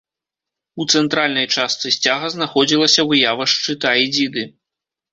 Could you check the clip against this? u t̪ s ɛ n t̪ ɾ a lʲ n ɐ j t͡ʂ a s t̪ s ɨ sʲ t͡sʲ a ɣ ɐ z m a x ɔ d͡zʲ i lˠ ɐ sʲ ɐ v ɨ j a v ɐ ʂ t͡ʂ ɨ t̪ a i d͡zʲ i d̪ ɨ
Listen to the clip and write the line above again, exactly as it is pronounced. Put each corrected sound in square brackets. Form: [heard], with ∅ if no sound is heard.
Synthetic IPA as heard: u t̪ s ɛ n t̪ ɾ a lʲ n ɐ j t͡ʂ a s t̪ s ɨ sʲ t͡sʲ a ɣ ɐ z [n] a x ɔ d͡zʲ i lˠ ɐ sʲ ɐ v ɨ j a v ɐ ʂ t͡ʂ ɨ t̪ a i d͡zʲ i d̪ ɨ

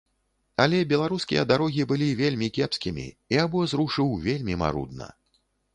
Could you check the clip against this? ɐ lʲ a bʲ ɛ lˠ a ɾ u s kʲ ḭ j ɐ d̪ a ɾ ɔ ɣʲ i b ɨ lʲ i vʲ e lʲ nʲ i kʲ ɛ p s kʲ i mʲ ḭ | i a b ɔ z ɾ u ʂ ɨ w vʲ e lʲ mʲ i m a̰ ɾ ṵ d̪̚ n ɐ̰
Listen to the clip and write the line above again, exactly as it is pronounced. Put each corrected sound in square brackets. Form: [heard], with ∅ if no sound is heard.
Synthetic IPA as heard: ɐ lʲ [ɛ] bʲ ɛ lˠ a ɾ u s kʲ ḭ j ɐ d̪ a ɾ ɔ ɣʲ i b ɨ lʲ i vʲ e lʲ [mʲ] i kʲ ɛ p s kʲ i mʲ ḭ | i a b ɔ z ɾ u ʂ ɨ w vʲ e lʲ mʲ i m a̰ ɾ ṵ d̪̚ n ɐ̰

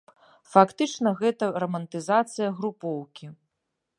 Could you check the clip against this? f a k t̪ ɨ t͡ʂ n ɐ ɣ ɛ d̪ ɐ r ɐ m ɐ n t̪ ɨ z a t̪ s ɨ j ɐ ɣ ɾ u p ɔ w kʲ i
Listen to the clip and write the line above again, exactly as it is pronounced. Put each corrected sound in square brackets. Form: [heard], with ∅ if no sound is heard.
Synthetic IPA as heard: f a k t̪ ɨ t͡ʂ n ɐ ɣ ɛ [t̪] ɐ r ɐ m ɐ n t̪ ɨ z a t̪ s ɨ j ɐ ɣ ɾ u p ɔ w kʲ i

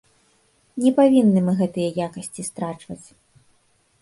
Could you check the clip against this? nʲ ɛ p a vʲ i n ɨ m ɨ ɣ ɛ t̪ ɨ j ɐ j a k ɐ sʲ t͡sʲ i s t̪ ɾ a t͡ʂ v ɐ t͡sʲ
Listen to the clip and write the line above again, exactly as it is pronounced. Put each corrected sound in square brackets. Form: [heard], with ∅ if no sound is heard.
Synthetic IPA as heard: nʲ ɛ p a vʲ i [nː] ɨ m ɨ ɣ ɛ t̪ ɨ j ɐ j a k ɐ sʲ t͡sʲ i s t̪ ɾ a t͡ʂ v ɐ t͡sʲ

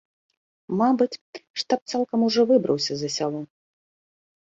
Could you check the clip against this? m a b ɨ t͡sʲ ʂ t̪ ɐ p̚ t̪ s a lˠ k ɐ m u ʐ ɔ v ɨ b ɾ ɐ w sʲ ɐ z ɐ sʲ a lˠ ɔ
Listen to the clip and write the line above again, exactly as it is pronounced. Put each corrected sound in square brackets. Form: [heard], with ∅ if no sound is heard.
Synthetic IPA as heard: m a b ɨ t͡sʲ ʂ t̪ [a] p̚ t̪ s a lˠ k ɐ m u ʐ ɔ v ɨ b ɾ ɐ w sʲ ɐ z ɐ sʲ a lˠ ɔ

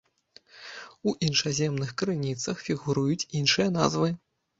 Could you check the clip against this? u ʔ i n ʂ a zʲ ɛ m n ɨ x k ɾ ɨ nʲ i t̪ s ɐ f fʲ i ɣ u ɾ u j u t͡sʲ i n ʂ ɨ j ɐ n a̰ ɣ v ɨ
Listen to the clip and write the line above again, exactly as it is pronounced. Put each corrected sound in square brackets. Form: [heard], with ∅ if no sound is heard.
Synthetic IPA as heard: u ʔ i n ʂ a zʲ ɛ m n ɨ x k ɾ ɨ nʲ i t̪ s ɐ [x] fʲ i ɣ u ɾ u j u t͡sʲ i n ʂ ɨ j ɐ n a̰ [z] v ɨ

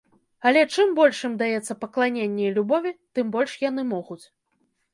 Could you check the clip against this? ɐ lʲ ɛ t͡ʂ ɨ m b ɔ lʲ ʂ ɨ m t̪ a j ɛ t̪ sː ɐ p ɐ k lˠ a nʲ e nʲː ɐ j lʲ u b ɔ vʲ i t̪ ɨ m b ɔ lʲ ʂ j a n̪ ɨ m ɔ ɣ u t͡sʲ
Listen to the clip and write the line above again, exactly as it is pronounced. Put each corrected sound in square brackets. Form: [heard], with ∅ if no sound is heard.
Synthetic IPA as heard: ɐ lʲ ɛ t͡ʂ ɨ m b ɔ lʲ ʂ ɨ m [d̪] a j ɛ t̪ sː ɐ p ɐ k lˠ a nʲ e nʲː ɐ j lʲ u b ɔ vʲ i t̪ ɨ m b ɔ lʲ ʂ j a n̪ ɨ m ɔ ɣ u t͡sʲ

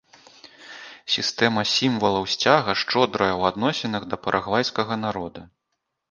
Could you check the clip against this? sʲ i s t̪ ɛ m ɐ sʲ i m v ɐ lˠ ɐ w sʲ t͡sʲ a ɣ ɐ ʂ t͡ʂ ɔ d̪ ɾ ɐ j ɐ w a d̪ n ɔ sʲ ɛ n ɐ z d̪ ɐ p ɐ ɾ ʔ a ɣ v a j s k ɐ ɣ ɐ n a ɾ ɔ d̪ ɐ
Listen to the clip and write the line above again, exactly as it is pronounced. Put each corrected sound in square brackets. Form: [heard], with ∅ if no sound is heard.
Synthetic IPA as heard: sʲ i s t̪ ɛ m ɐ sʲ i m v ɐ lˠ ɐ w sʲ t͡sʲ a ɣ ɐ ʂ t͡ʂ ɔ d̪ ɾ ɐ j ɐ w a d̪ n ɔ sʲ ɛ n ɐ [ɣ] d̪ ɐ p ɐ ɾ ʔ a ɣ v a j s k ɐ ɣ ɐ n a ɾ ɔ d̪ ɐ

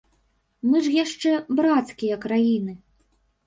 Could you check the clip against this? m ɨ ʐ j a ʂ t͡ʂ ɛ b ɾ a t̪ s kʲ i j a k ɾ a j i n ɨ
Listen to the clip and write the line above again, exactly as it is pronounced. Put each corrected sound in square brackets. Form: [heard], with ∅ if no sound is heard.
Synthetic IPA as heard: m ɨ ʐ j a ʂ t͡ʂ ɛ b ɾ a t̪ s kʲ i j [ɐ] k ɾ a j i n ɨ

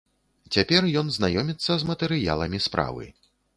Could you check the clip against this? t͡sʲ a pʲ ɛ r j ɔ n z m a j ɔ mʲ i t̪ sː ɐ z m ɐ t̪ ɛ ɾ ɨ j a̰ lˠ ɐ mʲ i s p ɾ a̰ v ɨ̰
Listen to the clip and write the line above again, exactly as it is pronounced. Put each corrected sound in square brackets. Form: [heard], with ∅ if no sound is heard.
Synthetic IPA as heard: t͡sʲ a pʲ ɛ r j ɔ n z [n] a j ɔ mʲ i t̪ sː ɐ z m ɐ t̪ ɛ ɾ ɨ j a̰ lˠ ɐ mʲ i s p ɾ a̰ v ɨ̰

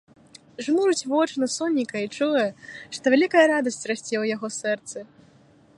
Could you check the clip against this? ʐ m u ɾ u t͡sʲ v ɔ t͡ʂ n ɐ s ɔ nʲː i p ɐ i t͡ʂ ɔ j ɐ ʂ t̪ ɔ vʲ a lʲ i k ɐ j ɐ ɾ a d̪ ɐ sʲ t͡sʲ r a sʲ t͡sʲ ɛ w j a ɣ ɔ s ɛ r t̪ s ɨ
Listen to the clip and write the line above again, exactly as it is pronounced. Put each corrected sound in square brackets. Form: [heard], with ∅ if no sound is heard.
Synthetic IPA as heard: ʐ m u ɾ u t͡sʲ v ɔ t͡ʂ n ɐ s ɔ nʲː i [k] ɐ i t͡ʂ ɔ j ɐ ʂ t̪ ɔ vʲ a lʲ i k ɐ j ɐ ɾ a d̪ ɐ sʲ t͡sʲ r a sʲ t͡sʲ ɛ w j a ɣ ɔ s ɛ r t̪ s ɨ

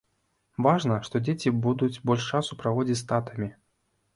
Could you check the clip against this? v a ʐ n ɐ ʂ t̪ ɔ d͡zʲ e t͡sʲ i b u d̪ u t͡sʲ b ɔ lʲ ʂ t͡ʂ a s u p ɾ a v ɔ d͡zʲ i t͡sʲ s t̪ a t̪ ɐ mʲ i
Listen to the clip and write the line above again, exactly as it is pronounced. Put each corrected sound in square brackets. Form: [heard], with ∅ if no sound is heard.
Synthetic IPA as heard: v a ʐ n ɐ ʂ t̪ ɔ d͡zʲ e t͡sʲ i b u d̪ u t͡sʲ b ɔ lʲ ʂ t͡ʂ a s u p ɾ a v ɔ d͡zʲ i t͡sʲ s t̪ a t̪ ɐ mʲ i

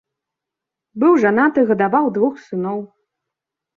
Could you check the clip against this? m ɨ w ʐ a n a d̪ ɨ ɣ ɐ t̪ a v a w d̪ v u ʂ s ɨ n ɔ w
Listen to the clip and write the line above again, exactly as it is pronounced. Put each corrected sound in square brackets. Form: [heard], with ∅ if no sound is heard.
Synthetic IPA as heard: [b] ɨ w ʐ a n a [t̪] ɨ ɣ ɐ [d̪] a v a w d̪ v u [x] s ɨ n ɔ w

